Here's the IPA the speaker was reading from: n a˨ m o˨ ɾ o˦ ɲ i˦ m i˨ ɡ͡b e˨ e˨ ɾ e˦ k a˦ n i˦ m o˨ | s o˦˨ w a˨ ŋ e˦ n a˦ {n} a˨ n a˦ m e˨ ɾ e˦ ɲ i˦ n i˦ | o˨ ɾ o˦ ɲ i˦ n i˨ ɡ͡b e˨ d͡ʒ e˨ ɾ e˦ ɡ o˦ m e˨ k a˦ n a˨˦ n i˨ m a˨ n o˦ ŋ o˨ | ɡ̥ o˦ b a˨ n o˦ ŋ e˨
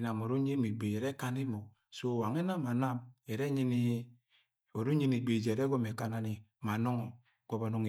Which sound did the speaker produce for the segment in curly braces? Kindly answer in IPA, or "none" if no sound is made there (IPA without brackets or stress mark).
m